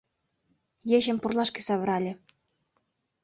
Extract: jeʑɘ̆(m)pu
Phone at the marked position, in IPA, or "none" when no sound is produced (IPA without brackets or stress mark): m